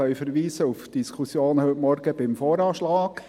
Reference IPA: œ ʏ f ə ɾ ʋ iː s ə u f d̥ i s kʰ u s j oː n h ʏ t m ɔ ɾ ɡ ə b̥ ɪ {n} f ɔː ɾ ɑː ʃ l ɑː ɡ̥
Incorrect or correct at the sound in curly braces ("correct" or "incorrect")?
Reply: incorrect